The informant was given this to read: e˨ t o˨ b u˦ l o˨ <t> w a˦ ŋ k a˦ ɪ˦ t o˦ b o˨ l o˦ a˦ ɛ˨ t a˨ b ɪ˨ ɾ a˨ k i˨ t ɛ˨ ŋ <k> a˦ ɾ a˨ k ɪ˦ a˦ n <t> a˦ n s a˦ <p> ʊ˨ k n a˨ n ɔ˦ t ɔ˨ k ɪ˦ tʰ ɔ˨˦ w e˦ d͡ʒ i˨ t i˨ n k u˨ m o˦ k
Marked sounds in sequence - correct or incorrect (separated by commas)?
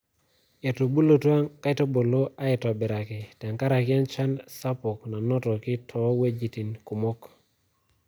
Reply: correct, correct, incorrect, correct